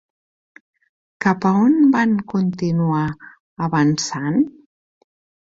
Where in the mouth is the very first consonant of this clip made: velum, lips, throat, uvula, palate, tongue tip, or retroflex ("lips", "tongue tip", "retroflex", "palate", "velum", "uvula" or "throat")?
velum